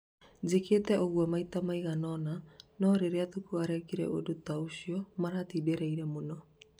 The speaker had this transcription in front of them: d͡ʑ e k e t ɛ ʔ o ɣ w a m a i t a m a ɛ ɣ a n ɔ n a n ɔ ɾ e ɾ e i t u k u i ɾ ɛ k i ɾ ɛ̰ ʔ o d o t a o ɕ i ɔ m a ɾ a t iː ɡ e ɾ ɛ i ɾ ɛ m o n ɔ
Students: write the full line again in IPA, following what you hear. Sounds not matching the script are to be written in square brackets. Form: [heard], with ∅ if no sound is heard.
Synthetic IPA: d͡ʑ e k e t ɛ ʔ o ɣ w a m a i t a m a [i] ɣ a n ɔ n a n ɔ ɾ e ɾ e [a] t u k u [a] ɾ ɛ k i ɾ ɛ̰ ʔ o d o t a o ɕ i ɔ m a ɾ a t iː [d] e ɾ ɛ i ɾ ɛ m o n ɔ